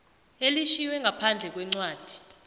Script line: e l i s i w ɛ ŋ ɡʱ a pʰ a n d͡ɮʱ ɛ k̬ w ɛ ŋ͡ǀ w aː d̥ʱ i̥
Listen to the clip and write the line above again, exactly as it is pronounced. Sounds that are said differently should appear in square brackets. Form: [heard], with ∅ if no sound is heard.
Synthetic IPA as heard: e l i [ʃ] i w ɛ ŋ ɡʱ a pʰ a n d͡ɮʱ ɛ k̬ w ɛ ŋ͡ǀ w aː d̥ʱ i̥